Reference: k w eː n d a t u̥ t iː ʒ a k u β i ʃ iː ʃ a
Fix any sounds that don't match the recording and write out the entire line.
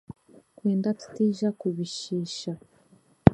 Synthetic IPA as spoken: k w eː n d a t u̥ t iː ʒ a k u β i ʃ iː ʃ a